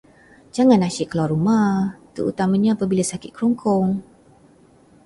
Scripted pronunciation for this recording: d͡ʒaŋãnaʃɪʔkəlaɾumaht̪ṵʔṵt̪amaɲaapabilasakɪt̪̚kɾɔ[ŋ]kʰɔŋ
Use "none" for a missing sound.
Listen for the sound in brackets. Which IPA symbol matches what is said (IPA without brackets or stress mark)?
ŋ